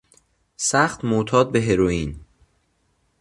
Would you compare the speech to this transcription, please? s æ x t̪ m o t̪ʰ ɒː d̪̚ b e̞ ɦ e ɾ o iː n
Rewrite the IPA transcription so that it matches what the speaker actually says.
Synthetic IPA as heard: s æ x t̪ m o t̪ʰ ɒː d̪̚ b e̞ ɦ e ɾ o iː n